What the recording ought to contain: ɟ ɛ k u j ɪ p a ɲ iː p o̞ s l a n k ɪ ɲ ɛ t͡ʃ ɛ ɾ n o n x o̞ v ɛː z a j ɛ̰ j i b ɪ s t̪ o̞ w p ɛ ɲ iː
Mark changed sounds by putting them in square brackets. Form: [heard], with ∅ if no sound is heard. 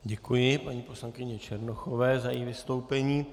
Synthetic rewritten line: ɟ ɛ k u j ɪ p a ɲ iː p o̞ s l a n k ɪ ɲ ɛ t͡ʃ ɛ ɾ n o [∅] x o̞ v ɛː z a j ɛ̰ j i [v] ɪ s t̪ o̞ w p ɛ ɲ iː